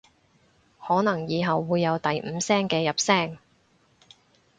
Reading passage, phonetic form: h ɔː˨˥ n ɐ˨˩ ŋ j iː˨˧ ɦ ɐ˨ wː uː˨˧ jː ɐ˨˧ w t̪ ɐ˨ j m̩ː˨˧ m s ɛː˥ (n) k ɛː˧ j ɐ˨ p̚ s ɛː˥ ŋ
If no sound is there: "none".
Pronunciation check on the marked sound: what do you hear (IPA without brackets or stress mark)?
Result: ŋ